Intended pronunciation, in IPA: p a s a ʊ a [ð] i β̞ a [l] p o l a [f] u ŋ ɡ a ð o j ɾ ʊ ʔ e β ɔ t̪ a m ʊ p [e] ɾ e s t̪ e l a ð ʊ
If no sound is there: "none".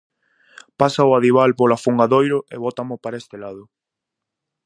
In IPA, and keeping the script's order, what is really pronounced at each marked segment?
ð, l, f, a

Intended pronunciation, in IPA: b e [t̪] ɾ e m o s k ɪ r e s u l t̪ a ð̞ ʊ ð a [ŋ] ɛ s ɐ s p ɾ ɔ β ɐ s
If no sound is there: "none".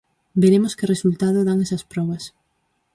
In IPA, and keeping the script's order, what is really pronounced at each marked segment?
none, ŋ

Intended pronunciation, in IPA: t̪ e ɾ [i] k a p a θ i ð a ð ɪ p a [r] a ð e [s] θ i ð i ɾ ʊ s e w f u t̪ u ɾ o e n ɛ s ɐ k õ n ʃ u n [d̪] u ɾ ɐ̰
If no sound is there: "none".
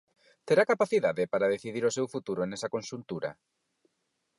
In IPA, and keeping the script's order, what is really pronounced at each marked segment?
a, ɾ, none, t̪

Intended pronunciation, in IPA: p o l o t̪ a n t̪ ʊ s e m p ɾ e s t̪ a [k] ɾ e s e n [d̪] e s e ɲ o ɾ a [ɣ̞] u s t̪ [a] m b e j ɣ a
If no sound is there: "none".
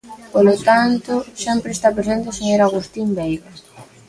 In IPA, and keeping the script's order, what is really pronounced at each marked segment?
p, t̪, ɣ̞, i

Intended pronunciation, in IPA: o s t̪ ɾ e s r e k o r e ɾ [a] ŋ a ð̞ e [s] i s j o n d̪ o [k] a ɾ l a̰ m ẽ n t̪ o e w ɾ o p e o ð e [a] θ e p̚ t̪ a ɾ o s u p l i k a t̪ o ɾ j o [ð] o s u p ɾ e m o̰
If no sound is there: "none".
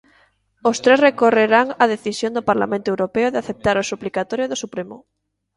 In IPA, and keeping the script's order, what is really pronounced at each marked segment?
a, θ, p, a, ð

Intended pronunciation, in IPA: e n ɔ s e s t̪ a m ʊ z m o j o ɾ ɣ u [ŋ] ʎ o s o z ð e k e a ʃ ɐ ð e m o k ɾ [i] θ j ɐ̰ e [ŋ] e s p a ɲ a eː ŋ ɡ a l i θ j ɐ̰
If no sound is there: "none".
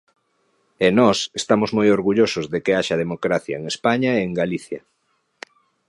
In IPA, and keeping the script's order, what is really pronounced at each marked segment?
none, a, ŋ

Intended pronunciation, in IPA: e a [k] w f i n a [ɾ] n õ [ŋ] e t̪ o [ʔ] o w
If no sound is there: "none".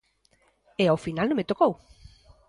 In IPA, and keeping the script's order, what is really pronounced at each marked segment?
none, l, m, k

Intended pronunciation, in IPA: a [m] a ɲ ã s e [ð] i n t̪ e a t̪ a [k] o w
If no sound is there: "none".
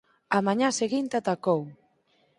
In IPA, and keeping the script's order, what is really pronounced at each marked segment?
m, ɣ, k

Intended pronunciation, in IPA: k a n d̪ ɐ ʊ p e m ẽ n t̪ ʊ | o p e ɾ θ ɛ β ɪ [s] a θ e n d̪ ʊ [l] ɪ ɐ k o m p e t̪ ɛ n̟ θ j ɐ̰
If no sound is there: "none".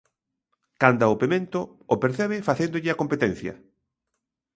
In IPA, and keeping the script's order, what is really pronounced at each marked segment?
f, ʎ

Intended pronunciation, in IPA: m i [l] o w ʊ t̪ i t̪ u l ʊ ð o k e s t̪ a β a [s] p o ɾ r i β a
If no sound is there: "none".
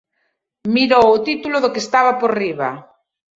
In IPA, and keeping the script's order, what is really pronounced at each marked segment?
ɾ, none

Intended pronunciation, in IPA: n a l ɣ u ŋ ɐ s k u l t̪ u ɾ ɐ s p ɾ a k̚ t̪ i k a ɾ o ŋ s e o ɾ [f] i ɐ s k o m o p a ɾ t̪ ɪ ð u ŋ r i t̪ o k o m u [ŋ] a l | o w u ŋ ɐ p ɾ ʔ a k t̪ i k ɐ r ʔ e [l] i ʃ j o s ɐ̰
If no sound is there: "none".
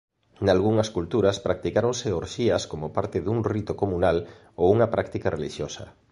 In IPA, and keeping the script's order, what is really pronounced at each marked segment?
ʃ, n, l

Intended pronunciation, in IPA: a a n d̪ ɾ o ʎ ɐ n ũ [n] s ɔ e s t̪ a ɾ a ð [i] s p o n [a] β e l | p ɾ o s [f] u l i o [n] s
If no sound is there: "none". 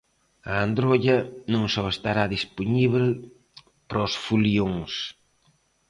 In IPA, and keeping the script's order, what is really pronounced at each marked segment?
ŋ, i, i, f, ŋ

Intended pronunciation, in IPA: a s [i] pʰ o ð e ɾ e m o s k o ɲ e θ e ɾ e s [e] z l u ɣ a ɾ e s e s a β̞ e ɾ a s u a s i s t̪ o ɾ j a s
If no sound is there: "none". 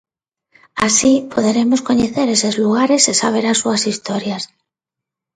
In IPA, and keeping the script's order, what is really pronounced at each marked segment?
i, e

